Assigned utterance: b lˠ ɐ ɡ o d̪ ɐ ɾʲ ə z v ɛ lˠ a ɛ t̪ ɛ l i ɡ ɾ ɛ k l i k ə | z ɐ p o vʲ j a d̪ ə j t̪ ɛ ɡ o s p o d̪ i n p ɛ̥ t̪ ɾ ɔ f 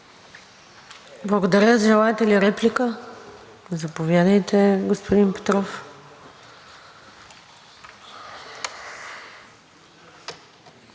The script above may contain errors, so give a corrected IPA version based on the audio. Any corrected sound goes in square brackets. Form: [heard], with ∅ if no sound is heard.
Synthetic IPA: b lˠ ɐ ɡ o d̪ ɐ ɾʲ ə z [ʒ] ɛ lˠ a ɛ t̪ ɛ l i [∅] ɾ ɛ [p] l i k ə | z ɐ p o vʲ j a d̪ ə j t̪ ɛ ɡ o s p o d̪ i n p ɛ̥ t̪ ɾ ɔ f